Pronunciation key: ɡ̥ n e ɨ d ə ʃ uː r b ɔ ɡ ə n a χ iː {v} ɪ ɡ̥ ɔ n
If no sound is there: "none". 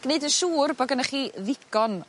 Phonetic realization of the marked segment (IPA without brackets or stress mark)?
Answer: ð